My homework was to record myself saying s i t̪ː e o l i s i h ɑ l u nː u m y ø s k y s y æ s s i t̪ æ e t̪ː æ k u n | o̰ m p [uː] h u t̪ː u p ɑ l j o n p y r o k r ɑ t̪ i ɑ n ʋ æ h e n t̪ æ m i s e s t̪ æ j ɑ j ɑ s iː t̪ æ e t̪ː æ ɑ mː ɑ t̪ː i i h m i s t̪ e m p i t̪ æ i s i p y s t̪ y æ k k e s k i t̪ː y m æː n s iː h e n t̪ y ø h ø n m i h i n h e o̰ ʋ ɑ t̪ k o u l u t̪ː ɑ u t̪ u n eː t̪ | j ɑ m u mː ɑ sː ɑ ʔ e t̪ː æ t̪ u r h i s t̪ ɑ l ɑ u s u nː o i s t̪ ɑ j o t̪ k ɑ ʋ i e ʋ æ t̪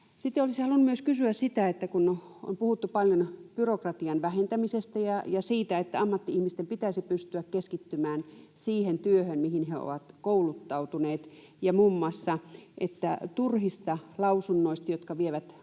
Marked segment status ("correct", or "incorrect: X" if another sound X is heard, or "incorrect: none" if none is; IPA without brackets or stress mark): incorrect: u